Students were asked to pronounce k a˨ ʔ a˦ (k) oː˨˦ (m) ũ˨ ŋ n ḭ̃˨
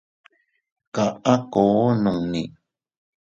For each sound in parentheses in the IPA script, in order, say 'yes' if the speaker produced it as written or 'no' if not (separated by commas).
yes, no